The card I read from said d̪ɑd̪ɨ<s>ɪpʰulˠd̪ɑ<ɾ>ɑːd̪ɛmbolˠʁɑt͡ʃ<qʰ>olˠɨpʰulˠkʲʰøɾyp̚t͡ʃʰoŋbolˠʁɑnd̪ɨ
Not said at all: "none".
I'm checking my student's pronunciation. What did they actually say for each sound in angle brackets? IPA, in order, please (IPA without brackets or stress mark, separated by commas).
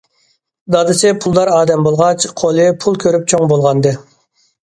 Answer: s, ɾ, qʰ